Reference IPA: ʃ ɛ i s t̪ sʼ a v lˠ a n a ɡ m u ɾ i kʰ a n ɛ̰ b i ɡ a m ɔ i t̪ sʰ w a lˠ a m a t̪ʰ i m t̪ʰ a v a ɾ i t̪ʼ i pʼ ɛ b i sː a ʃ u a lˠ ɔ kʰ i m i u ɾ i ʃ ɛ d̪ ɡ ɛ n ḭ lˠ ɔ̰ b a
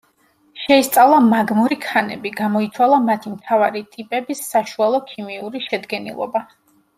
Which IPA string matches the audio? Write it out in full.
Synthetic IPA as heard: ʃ ɛ i s t̪ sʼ a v lˠ a m a ɡ m u ɾ i kʰ a n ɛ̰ b i ɡ a m ɔ i t̪ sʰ w a lˠ a m a t̪ʰ i m t̪ʰ a v a ɾ i t̪ʼ i pʼ ɛ b i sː a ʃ u a lˠ ɔ kʰ i m i u ɾ i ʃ ɛ d̪ ɡ ɛ n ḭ lˠ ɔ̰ b a

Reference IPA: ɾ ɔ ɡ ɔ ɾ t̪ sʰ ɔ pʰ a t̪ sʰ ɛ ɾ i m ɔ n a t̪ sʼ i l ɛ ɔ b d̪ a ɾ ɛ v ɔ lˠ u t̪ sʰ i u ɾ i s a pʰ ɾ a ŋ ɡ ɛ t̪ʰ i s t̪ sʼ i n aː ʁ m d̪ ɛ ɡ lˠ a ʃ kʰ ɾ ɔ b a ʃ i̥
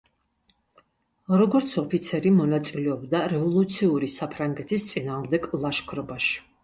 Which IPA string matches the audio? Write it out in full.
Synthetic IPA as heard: ɾ ɔ ɡ ɔ ɾ t̪ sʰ ɔ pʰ i t̪ sʰ ɛ ɾ i m ɔ n a t̪ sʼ i l ɛ ɔ b d̪ a ɾ ɛ v ɔ lˠ u t̪ sʰ i u ɾ i s a pʰ ɾ a ŋ ɡ ɛ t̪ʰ i s t̪ sʼ i n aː ʁ m d̪ ɛ ɡ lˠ a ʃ kʰ ɾ ɔ b a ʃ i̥

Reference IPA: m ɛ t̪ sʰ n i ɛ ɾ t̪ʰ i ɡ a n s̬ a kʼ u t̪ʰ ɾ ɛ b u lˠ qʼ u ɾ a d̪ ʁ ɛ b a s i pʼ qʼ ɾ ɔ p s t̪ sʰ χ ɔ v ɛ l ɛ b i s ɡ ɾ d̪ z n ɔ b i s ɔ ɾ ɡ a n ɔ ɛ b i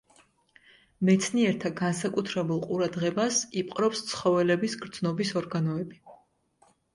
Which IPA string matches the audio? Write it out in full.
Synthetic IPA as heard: m ɛ t̪ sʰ n i ɛ ɾ t̪ʰ a ɡ a n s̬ a kʼ u t̪ʰ ɾ ɛ b u lˠ qʼ u ɾ a d̪ ʁ ɛ b a s i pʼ qʼ ɾ ɔ p s t̪ sʰ χ ɔ v ɛ l ɛ b i s ɡ ɾ d̪ z n ɔ b i s ɔ ɾ ɡ a n ɔ ɛ b i

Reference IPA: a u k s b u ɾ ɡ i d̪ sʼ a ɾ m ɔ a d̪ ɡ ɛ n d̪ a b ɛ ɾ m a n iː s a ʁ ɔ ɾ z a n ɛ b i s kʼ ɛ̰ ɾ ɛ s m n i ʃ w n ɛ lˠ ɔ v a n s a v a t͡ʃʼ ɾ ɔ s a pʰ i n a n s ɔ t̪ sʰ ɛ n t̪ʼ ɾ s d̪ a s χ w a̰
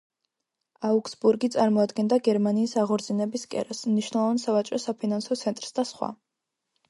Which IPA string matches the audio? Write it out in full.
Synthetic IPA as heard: a u k s b u ɾ ɡ i t̪ sʼ a ɾ m ɔ a d̪ ɡ ɛ n d̪ a ɡ ɛ ɾ m a n iː s a ʁ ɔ ɾ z i n ɛ b i s kʼ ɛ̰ ɾ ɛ s m n i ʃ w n ɛ lˠ ɔ v a n s a v a t͡ʃʼ ɾ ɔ s a pʰ i n a n s ɔ t̪ sʰ ɛ n t̪ʼ ɾ s d̪ a s χ w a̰

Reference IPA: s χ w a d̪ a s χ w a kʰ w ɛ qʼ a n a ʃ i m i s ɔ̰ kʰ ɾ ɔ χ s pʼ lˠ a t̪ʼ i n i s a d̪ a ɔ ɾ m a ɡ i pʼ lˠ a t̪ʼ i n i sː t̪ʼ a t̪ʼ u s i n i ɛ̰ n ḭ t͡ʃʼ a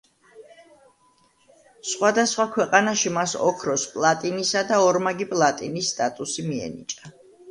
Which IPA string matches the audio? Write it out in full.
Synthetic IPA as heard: s χ w a d̪ a s χ w a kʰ w ɛ qʼ a n a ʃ i m a s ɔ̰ kʰ ɾ ɔ s pʼ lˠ a t̪ʼ i n i s a d̪ a ɔ ɾ m a ɡ i pʼ lˠ a t̪ʼ i n i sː t̪ʼ a t̪ʼ u s i m i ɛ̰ n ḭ t͡ʃʼ a

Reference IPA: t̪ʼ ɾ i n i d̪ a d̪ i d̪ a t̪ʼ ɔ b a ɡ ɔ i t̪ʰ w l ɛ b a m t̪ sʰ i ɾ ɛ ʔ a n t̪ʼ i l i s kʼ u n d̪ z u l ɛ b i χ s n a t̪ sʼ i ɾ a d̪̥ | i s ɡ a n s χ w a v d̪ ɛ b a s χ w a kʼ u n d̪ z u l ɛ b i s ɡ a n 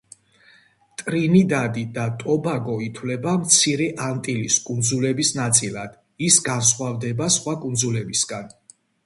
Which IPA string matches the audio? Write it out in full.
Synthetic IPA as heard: t̪ʼ ɾ i n i d̪ a d̪ i d̪ a t̪ʼ ɔ b a ɡ ɔ i t̪ʰ w l ɛ b a m t̪ sʰ i ɾ ɛ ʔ a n t̪ʼ i l i s kʼ u n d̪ z u l ɛ b i s n a t̪ sʼ i l a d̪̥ | i s ɡ a n s χ w a v d̪ ɛ b a s χ w a kʼ u n d̪ z u l ɛ b i s ɡ a n

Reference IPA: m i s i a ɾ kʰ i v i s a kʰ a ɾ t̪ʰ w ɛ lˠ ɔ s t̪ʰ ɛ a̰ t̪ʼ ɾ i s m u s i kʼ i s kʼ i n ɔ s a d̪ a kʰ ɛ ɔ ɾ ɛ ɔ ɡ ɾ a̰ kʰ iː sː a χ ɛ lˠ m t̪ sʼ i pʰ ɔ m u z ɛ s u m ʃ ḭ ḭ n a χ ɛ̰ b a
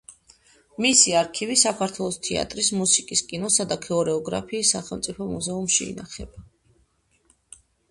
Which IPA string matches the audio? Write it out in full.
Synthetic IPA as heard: m i s i a ɾ kʰ i v i s a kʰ a ɾ t̪ʰ w ɛ lˠ ɔ s t̪ʰ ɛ a̰ t̪ʼ ɾ i s m u s i kʼ i s kʼ i n ɔ s a d̪ a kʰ ɛ ɔ ɾ ɛ ɔ ɡ ɾ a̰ pʰ iː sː a χ ɛ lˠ m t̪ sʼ i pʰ ɔ m u z ɛ u m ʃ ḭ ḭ n a χ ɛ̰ b a

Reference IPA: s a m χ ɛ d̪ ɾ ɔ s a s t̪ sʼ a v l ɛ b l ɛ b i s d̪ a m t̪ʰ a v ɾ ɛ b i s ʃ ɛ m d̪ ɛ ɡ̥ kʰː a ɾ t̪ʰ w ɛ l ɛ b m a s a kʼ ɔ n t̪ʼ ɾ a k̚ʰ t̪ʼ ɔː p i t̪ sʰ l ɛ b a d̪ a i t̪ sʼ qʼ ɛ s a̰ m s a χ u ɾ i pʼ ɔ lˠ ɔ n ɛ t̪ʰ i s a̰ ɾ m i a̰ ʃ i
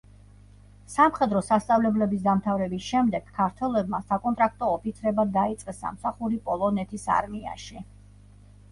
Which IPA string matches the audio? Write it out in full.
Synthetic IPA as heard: s a m χ ɛ d̪ ɾ ɔ s a s t̪ sʼ a v l ɛ b l ɛ b i s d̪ a m t̪ʰ a v ɾ ɛ b i s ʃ ɛ m d̪ ɛ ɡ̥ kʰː a ɾ t̪ʰ w ɛ l ɛ b m a s a kʼ ɔ n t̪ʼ ɾ a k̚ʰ t̪ʼ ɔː p i t̪ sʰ ɾ ɛ b a d̪ a i t̪ sʼ qʼ ɛ s a̰ m s a χ u ɾ i pʼ ɔ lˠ ɔ n ɛ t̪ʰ i s a̰ ɾ m i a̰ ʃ i

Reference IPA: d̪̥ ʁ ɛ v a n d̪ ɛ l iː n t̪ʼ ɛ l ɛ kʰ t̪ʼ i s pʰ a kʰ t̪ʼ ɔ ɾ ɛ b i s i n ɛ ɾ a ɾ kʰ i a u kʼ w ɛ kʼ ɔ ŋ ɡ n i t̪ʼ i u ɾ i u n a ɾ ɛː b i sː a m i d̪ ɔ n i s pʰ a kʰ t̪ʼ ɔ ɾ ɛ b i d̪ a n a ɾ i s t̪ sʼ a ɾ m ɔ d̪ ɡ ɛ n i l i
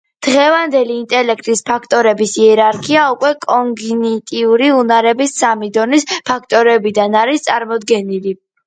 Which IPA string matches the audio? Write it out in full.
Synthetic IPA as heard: d̪̥ ʁ ɛ v a n d̪ ɛ l iː n t̪ʼ ɛ l ɛ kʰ t̪ʼ i s pʰ a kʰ t̪ʼ ɔ ɾ ɛ b i s i ɛ ɾ a ɾ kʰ i a u kʼ w ɛ kʼ ɔ ŋ ɡ n i t̪ʼ i u ɾ i u n a ɾ ɛ b i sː a m i d̪ ɔ n i s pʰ a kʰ t̪ʼ ɔ ɾ ɛ b i d̪ a n a ɾ i s t̪ sʼ a ɾ m ɔ d̪ ɡ ɛ n i l i

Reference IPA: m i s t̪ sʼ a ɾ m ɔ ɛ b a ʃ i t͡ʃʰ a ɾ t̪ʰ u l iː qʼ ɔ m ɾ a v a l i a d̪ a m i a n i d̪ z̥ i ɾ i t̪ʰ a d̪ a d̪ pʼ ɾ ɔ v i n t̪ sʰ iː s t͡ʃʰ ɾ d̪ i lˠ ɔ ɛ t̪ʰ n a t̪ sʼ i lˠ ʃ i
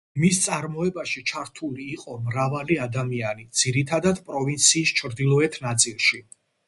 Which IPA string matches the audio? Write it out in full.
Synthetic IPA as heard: m i s t̪ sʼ a ɾ m ɔ ɛ b a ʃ i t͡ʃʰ a ɾ t̪ʰ u l iː qʼ ɔ m ɾ a v a l i a d̪ a m i a n i d̪ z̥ i ɾ i t̪ʰ a d̪ a d̪ pʼ ɾ ɔ v i n t̪ sʰ iː s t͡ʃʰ ɾ d̪ i lˠ ɔ ɛ t̪ʰ n a t̪ sʼ i lˠ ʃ i

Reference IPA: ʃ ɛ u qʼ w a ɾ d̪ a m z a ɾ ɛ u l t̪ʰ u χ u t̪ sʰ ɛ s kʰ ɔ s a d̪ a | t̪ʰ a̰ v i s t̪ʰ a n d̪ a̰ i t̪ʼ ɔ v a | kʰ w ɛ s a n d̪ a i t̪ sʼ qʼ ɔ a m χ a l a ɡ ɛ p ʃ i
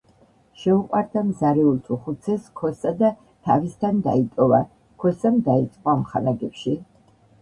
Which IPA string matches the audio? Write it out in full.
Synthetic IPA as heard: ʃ ɛ u qʼ w a ɾ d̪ a m z a ɾ ɛ u l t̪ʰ u χ u t̪ sʰ ɛ s kʰ ɔ s a d̪ a | t̪ʰ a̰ v i s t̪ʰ a n d̪ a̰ i t̪ʼ ɔ v a | kʰ w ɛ s a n d̪ a i t̪ sʼ qʼ ɔ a m χ a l a ɡ ɛ p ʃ i

